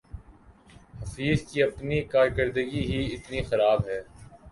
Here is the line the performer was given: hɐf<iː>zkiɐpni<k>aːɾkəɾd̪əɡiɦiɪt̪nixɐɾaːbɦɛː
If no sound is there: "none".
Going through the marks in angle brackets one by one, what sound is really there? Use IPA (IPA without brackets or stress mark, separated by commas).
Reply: iː, k